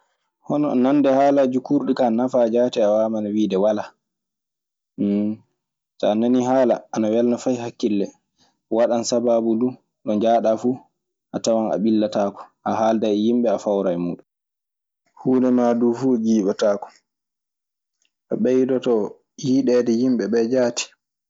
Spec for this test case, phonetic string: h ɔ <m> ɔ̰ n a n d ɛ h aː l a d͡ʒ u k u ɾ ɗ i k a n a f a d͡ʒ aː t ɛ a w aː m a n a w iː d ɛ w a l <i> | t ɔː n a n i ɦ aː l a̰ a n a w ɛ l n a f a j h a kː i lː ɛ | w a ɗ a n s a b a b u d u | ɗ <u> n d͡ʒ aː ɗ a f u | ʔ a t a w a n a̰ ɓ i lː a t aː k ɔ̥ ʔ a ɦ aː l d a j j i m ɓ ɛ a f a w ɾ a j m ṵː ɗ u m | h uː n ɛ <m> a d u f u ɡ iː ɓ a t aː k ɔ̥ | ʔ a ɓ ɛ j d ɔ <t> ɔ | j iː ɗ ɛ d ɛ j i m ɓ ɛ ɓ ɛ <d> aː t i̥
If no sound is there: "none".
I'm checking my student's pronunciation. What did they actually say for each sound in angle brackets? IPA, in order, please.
n, a, ɔ, m, t, d͡ʒ

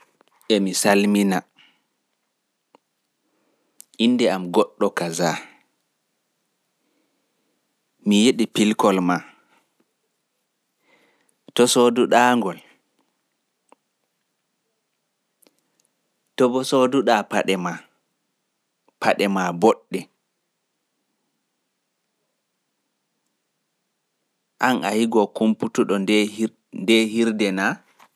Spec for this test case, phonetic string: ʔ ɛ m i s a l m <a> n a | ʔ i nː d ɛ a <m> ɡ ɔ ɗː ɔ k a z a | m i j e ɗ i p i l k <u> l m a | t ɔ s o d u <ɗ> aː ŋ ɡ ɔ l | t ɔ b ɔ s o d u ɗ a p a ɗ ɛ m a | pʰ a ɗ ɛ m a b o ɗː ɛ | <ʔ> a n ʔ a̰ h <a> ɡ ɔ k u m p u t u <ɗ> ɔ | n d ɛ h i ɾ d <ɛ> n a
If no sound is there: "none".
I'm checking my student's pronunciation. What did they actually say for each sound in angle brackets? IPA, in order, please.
i, m, ɔ, ɗ, ʔ, i, ɗ, ɛ

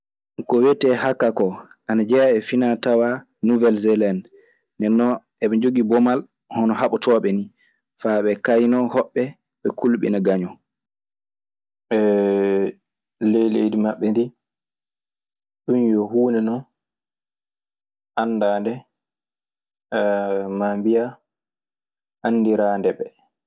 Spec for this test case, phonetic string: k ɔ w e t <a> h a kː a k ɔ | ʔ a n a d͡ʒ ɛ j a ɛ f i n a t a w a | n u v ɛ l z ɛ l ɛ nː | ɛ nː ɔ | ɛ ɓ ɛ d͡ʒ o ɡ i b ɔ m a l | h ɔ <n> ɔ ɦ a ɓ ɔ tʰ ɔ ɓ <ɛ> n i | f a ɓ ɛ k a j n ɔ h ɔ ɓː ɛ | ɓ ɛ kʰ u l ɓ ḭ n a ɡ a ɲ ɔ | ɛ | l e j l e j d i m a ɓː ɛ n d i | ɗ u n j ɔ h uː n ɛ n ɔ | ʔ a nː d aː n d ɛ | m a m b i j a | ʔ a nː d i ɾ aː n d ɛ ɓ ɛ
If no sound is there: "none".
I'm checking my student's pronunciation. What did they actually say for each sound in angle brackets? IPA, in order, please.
ɛ, n, ɛ

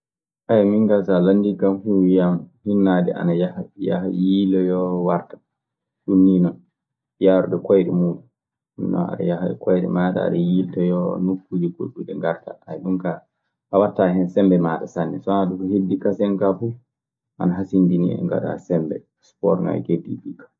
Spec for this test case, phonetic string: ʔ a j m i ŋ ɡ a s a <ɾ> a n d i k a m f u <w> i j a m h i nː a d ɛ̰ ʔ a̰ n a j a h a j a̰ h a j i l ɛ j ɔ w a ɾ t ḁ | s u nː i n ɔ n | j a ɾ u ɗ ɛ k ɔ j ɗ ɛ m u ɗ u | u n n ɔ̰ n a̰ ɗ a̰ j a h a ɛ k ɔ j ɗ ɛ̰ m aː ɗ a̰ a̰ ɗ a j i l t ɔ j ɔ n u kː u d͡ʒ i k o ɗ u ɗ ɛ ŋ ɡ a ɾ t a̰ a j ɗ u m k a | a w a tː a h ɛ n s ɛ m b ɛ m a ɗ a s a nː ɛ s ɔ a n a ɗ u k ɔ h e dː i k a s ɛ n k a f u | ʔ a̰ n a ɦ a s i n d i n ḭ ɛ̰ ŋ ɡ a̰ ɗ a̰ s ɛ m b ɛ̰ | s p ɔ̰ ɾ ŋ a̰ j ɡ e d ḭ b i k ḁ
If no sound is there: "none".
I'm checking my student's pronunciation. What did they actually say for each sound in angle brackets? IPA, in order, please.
l, w

